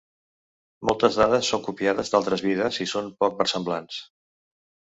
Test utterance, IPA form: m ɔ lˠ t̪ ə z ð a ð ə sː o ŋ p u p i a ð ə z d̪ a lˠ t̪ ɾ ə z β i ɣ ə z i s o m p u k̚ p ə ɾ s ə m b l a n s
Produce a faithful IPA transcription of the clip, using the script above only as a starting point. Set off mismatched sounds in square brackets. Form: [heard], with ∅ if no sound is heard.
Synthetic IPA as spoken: m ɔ lˠ t̪ ə z ð a ð ə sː o ŋ [k] u p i a ð ə z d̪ a lˠ t̪ ɾ ə z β i [ð] ə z i s o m p [ɔ] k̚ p ə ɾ s ə m b l a n s